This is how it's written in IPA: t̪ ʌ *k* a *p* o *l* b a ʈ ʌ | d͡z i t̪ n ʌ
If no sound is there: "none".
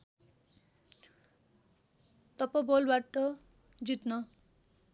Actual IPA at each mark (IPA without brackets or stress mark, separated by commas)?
p, b, l